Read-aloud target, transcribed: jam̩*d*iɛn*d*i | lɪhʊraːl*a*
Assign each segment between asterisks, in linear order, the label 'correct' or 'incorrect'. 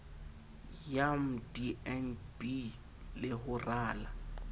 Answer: correct, incorrect: b, correct

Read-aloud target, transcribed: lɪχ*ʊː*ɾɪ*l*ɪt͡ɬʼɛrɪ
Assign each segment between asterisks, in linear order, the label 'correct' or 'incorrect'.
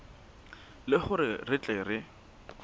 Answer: incorrect: ʊ, incorrect: r

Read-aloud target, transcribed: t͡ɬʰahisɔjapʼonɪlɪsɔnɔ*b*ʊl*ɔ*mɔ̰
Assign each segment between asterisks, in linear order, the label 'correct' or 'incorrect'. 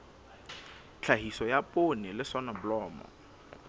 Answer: correct, incorrect: ɔː

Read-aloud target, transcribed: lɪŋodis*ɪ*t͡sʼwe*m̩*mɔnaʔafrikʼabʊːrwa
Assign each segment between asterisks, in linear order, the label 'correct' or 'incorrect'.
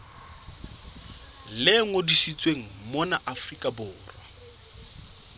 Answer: incorrect: i, incorrect: ŋ̩

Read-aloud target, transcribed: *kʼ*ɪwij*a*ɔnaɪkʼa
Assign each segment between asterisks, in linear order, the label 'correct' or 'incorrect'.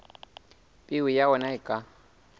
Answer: incorrect: pʼ, correct

